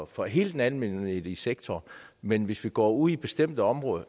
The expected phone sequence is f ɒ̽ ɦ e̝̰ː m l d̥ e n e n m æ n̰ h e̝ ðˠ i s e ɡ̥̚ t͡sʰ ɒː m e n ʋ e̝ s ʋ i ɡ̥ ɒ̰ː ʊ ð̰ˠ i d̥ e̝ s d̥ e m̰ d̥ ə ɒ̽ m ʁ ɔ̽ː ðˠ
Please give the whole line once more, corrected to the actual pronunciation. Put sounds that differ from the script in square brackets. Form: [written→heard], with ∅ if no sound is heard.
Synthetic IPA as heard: f ɒ̽ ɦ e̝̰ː [m→∅] l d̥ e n [e→æ] n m [æ→e] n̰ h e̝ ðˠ i s e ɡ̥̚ t͡sʰ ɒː m e n ʋ e̝ s ʋ i ɡ̥ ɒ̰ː [ʊ→u] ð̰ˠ i [d̥→b̥] e̝ s d̥ e m̰ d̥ ə ɒ̽ m ʁ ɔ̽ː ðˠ